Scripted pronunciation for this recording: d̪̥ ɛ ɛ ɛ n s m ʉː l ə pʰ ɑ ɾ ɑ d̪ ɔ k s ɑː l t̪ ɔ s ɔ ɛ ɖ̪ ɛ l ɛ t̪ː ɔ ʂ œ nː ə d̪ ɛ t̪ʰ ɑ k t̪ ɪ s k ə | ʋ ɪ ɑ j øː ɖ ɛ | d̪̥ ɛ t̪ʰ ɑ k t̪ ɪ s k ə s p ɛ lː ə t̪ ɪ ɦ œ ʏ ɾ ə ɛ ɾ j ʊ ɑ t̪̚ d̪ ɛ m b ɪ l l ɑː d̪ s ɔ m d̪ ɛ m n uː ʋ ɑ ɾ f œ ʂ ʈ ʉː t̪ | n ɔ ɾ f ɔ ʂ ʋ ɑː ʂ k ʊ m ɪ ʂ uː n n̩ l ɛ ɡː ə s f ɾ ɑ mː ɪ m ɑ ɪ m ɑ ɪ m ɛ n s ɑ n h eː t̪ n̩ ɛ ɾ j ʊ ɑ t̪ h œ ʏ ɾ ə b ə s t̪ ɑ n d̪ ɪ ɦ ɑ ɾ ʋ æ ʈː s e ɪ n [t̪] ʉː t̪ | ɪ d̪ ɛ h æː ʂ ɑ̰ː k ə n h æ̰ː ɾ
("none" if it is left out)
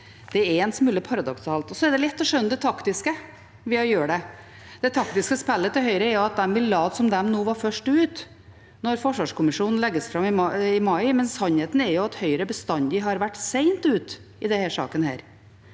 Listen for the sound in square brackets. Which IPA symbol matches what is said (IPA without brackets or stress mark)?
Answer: t̪